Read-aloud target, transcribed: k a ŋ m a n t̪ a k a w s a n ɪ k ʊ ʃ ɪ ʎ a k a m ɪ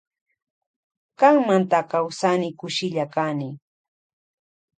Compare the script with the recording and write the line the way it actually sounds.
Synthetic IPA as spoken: k a ŋ m a n t̪ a k a w s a n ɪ k ʊ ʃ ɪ ʎ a k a n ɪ